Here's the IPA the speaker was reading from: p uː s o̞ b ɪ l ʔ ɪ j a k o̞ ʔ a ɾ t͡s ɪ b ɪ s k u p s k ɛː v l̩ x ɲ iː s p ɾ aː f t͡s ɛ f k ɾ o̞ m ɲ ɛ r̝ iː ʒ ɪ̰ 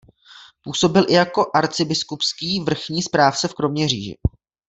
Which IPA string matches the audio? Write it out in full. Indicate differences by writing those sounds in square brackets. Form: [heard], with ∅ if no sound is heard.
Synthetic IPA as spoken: p uː s o̞ b ɪ l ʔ ɪ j a k o̞ ʔ a ɾ t͡s ɪ b ɪ s k u p s k [iː] v [r̩] x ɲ iː s p ɾ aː f t͡s ɛ f k ɾ o̞ m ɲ ɛ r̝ iː ʒ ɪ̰